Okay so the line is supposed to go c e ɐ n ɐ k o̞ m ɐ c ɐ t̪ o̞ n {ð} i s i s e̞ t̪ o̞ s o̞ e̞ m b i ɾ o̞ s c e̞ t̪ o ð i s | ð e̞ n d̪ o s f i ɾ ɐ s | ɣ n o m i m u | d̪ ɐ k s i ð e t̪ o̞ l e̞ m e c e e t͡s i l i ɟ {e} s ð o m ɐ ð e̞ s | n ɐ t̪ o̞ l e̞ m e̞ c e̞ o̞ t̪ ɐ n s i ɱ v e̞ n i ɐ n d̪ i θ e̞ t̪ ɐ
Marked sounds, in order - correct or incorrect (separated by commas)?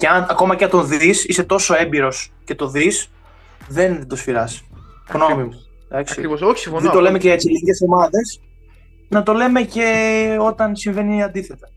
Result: correct, correct